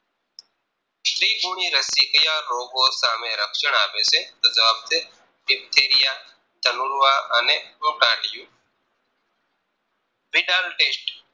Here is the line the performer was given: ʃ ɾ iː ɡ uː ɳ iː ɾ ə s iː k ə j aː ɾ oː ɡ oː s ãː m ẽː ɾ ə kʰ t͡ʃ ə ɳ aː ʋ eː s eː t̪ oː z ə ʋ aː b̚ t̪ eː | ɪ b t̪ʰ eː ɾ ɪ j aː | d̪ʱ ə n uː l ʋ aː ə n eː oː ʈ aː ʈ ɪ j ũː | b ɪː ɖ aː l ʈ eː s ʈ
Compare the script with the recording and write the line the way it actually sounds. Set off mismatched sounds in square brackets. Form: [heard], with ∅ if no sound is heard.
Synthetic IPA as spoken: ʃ ɾ iː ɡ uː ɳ iː ɾ ə s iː k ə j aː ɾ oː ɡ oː s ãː m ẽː ɾ ə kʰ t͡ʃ ə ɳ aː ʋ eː s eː t̪ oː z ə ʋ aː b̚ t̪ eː | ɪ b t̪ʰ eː ɾ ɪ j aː | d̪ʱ ə n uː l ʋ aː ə n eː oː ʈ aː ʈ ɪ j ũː | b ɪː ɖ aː l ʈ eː s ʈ